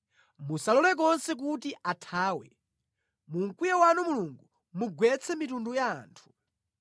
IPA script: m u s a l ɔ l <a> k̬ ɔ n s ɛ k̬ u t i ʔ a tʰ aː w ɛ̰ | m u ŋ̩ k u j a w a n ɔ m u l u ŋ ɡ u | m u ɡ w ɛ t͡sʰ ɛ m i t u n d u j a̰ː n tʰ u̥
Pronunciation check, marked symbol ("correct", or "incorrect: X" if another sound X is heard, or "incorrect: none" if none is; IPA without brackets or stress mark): incorrect: ɛ